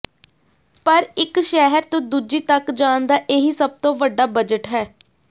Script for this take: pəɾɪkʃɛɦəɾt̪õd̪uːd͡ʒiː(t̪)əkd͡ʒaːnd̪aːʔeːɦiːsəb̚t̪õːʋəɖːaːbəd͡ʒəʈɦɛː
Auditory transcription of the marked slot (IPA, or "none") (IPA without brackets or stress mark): t̪